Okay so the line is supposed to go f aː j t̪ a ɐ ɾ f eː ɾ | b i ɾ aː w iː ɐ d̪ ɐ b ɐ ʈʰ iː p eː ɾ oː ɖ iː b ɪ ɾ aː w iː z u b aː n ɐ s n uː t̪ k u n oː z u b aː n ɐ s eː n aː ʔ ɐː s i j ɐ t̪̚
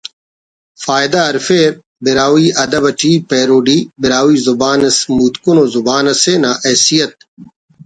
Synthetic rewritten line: f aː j d̪ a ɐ ɾ f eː ɾ | b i ɾ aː w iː ɐ d̪ ɐ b ɐ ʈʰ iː p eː ɾ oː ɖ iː b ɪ ɾ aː w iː z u b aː n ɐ s m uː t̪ k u n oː z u b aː n ɐ s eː n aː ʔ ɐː s i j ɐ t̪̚